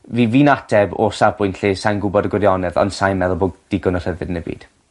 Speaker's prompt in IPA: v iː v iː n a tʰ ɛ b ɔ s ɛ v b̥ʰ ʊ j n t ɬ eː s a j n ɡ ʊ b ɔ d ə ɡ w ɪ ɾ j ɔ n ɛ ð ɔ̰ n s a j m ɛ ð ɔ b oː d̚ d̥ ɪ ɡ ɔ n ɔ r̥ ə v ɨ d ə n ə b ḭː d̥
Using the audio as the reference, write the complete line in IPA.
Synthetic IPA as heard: v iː v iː n a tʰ ɛ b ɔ s a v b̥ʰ ʊ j n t ɬ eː s a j n ɡ ʊ b ɔ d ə ɡ w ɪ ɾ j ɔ n ɛ ð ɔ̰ n s a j m ɛ ð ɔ b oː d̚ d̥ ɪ ɡ ɔ n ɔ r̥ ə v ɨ d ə n ə b ḭː d̥